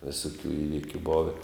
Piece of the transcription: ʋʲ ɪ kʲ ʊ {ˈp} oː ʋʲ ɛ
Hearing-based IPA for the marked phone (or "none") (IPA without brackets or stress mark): b